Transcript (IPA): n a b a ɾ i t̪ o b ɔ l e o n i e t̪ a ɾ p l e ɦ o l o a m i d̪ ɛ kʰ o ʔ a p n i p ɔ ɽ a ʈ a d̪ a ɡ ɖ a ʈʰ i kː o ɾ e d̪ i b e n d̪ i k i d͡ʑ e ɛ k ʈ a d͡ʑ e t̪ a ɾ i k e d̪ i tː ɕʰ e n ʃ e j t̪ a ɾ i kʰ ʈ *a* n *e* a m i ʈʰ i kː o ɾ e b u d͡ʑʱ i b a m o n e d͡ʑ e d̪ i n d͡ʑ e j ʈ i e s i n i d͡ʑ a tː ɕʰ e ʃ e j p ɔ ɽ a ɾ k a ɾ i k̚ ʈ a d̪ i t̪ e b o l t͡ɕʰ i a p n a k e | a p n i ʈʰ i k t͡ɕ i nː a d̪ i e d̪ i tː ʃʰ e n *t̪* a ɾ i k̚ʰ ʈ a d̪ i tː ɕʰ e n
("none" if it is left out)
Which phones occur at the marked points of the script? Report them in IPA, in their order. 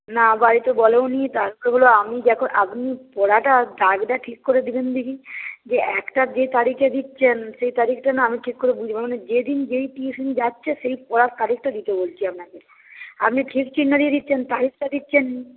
a, a, t̪

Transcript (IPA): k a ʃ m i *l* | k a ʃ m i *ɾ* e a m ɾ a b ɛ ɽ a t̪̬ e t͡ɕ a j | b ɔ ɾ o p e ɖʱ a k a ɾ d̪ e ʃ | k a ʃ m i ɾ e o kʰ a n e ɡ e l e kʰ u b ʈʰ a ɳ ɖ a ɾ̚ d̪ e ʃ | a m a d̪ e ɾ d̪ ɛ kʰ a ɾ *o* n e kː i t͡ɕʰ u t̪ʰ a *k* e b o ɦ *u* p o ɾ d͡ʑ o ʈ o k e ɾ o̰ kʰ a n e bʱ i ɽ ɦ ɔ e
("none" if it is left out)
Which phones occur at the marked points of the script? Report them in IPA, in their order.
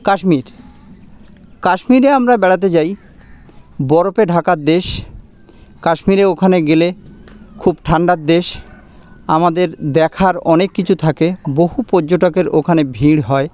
ɾ, ɾ, ɔ, k, u

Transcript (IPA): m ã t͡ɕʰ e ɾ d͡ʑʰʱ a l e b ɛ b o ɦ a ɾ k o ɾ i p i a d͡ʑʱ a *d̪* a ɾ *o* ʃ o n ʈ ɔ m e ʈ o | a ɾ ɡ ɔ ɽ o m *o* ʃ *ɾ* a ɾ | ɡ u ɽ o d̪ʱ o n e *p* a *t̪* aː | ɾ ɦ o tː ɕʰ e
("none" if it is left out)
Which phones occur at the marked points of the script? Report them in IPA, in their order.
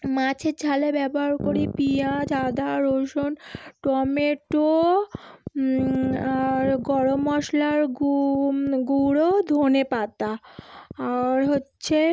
d̪, o, ɔ, l, p, t̪

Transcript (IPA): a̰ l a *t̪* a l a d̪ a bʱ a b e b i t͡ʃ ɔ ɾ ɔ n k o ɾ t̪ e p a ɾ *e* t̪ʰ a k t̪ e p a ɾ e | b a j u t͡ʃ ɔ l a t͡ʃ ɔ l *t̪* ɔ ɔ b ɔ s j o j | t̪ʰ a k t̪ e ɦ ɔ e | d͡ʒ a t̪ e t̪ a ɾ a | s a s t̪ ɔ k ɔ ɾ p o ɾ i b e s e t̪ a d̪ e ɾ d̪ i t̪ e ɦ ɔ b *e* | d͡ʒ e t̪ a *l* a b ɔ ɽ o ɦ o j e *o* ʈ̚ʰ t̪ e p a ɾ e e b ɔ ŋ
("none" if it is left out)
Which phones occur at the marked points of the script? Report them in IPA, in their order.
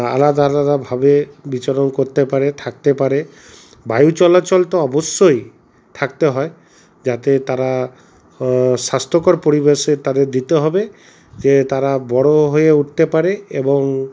d̪, e, t̪, e, ɾ, u

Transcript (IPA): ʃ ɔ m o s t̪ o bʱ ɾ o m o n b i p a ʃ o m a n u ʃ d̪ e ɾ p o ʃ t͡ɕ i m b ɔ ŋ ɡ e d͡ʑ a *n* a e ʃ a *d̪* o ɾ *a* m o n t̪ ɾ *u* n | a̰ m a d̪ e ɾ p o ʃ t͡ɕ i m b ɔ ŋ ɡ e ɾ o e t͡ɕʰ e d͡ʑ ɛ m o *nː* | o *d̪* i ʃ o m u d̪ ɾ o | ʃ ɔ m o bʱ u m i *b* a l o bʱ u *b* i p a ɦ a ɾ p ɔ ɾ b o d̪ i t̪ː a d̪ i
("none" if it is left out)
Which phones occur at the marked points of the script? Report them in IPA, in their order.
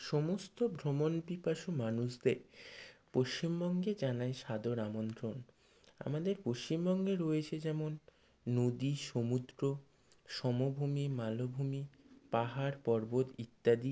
n, d̪, a, o, nː, d̪, m, m

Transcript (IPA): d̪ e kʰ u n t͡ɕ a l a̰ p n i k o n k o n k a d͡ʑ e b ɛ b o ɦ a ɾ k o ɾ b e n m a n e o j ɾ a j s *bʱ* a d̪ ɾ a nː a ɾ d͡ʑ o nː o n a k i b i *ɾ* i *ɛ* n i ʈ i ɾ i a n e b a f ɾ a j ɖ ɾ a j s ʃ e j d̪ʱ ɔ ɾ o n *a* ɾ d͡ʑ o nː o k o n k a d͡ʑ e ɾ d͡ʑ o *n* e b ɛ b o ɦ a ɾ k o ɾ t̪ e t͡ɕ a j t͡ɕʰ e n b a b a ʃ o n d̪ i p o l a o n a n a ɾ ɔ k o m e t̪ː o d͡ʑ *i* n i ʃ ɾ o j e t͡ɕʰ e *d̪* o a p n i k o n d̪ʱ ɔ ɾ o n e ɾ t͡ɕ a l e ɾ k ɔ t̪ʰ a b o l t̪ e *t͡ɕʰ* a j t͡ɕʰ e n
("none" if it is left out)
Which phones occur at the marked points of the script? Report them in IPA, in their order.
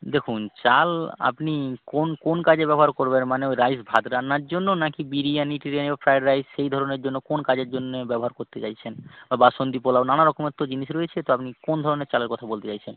bʱ, ɾ, a, e, nː, i, t̪, t͡ɕ

